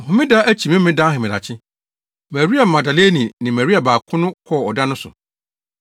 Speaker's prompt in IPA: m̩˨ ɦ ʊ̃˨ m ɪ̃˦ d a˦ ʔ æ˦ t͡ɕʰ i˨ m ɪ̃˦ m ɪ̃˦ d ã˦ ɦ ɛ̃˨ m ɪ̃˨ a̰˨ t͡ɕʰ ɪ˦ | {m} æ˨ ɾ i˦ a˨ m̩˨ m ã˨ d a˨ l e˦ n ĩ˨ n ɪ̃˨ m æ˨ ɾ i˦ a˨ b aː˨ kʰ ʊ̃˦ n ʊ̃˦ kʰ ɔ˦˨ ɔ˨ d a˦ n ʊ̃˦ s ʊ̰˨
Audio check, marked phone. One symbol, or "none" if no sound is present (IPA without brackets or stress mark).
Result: m